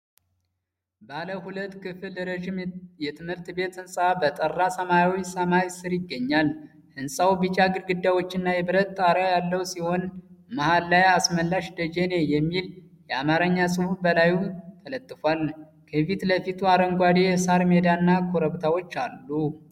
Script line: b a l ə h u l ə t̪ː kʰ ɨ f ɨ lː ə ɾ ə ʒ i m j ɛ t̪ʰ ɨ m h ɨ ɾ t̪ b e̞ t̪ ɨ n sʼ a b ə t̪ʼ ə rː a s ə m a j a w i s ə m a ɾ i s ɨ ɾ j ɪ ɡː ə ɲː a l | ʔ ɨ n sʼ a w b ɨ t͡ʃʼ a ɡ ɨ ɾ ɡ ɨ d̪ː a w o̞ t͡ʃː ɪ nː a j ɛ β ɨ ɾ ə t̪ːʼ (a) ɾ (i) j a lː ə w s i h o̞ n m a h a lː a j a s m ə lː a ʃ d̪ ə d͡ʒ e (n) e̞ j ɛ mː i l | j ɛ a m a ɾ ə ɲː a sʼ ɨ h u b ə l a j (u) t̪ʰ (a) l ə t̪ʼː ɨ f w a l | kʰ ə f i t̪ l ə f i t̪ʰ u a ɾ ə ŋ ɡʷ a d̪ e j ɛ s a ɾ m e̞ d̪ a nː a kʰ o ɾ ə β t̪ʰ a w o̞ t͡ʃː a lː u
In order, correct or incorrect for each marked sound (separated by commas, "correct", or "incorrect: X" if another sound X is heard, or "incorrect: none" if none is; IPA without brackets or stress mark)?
correct, incorrect: a, correct, correct, incorrect: ə